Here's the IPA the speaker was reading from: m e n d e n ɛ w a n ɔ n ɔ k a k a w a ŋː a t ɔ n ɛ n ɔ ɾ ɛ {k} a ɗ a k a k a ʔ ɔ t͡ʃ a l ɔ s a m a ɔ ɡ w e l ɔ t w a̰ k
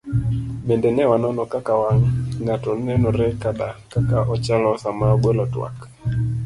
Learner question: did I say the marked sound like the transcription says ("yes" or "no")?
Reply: yes